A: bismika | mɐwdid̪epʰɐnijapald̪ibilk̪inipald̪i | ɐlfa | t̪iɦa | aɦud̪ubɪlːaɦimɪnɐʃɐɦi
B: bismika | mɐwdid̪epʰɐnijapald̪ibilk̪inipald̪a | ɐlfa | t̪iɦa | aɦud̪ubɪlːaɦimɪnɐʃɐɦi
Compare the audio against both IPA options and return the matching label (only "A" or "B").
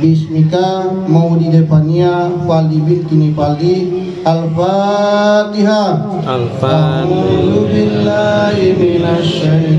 A